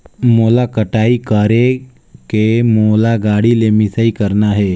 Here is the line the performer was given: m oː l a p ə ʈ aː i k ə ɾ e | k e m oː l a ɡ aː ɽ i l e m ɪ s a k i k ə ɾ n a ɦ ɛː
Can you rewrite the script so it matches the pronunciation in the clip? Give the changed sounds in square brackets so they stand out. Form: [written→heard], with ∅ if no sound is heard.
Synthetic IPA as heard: m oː l a [p→k] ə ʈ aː i k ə ɾ e | k e m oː l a ɡ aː ɽ i l e m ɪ s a [k→∅] i k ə ɾ n a ɦ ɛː